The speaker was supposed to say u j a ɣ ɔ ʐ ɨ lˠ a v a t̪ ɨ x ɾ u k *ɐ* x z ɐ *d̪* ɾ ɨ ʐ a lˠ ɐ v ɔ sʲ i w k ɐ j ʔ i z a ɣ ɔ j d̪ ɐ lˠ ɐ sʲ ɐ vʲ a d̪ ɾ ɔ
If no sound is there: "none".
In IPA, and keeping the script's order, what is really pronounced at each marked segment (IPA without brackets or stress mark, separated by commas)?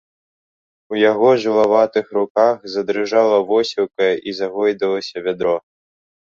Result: a, d̪